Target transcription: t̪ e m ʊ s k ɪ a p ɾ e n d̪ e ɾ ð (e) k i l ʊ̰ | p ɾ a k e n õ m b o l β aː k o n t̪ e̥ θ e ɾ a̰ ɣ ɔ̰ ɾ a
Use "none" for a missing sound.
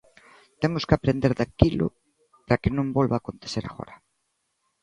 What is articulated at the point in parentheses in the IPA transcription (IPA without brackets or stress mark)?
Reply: a